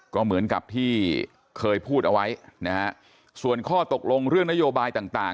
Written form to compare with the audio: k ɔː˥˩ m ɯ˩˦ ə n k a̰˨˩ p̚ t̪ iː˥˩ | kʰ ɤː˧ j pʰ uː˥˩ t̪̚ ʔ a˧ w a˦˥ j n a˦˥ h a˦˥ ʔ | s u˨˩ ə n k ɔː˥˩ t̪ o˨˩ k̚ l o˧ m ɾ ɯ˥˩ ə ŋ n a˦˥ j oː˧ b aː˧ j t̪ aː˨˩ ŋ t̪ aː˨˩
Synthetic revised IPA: k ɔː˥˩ m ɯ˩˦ ə n k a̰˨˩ p̚ t̪ʰ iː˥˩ | kʰ ɤː˧ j pʰ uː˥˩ t̪̚ ʔ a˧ w a˦˥ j n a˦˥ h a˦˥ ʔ | s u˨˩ ə n kʰ ɔː˥˩ t̪ o˨˩ k̚ l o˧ ŋ ɾ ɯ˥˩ ə ŋ n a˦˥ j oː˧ b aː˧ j t̪ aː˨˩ ŋ t̪ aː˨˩